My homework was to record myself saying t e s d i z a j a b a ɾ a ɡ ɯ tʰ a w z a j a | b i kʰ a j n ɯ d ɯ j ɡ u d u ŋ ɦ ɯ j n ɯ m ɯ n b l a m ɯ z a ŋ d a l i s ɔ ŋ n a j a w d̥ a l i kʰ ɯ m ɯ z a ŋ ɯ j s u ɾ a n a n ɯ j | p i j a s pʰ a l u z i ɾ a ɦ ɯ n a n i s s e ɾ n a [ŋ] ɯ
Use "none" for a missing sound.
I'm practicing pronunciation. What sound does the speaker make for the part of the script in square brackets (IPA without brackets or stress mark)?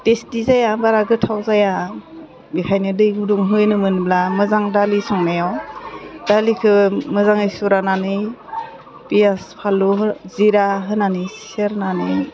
n